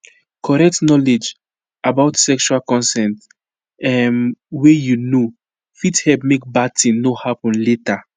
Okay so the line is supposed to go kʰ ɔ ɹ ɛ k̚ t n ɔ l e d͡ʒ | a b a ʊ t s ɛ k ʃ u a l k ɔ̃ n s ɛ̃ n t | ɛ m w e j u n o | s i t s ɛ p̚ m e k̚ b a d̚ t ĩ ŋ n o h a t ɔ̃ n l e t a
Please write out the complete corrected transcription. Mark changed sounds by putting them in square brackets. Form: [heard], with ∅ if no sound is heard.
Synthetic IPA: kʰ ɔ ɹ ɛ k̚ t n ɔ l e d͡ʒ | a b a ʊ t s ɛ k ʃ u a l k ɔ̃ n s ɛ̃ n t | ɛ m w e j u n o | [f] i t [h] ɛ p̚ m e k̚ b a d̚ t ĩ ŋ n o h a [p] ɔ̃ n l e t a